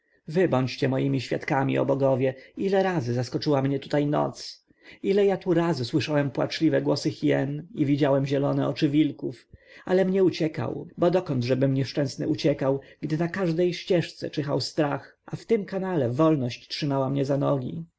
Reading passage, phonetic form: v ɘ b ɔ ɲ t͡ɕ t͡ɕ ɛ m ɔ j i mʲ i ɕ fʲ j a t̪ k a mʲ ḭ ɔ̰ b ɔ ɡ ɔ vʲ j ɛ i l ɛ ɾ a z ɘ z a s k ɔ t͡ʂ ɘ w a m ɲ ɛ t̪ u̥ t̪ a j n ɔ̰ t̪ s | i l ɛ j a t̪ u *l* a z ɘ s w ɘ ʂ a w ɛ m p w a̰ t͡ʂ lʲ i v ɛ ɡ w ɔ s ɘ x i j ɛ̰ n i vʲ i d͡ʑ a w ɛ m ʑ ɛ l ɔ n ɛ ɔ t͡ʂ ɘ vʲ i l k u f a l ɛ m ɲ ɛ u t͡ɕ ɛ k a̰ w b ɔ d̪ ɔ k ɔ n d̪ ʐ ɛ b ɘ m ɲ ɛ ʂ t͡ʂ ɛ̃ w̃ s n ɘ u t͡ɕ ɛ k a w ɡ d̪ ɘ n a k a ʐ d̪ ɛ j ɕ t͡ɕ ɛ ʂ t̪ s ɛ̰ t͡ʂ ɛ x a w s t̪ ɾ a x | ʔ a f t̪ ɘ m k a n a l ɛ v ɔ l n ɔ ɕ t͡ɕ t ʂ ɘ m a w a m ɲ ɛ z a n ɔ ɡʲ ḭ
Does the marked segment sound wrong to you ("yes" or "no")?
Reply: yes